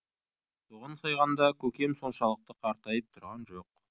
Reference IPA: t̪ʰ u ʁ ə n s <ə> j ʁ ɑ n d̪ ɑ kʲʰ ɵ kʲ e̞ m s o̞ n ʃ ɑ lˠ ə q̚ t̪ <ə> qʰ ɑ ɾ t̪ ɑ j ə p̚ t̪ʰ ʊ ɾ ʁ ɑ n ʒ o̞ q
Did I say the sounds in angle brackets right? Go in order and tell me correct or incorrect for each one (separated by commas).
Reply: incorrect, correct